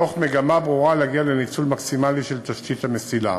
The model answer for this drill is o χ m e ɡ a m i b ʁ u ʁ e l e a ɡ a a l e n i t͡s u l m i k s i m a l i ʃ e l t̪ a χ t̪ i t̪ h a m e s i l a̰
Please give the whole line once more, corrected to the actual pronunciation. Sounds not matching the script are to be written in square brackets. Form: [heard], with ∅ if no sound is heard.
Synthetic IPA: o χ m e ɡ a m [a] b ʁ u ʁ [a] l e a ɡ [i] a l e n i t͡s u l m [a] k s i m a l i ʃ e l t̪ a [ʃ] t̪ i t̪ h a m e s i l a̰